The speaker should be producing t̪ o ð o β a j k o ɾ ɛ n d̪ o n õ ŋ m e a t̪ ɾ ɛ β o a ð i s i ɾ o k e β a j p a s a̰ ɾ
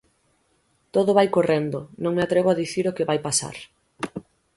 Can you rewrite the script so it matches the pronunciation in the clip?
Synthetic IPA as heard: t̪ o ð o β a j k o r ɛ n d̪ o n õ ŋ m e a t̪ ɾ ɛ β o a ð i θ i ɾ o k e β a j p a s a̰ ɾ